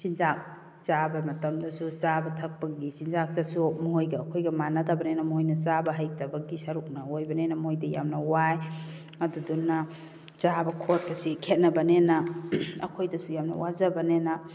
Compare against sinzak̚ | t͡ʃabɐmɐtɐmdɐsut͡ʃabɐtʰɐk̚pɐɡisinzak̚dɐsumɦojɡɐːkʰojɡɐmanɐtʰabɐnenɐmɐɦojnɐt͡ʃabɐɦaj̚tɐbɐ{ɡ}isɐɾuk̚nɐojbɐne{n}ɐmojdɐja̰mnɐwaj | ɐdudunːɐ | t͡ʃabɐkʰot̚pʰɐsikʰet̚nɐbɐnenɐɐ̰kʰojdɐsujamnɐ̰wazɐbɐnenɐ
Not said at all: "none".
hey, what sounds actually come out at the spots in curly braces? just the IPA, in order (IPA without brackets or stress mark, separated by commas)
ɡ, n